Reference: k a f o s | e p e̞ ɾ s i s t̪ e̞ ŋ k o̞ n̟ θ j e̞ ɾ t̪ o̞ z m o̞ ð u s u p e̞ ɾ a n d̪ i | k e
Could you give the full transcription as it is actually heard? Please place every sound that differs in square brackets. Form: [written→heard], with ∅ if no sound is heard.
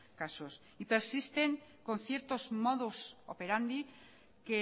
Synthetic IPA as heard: k a [f→s] o s | [e→i] p e̞ ɾ s i s t̪ e̞ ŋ k o̞ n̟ θ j e̞ ɾ t̪ o̞ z m o̞ ð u s [u→o] p e̞ ɾ a n d̪ i | k e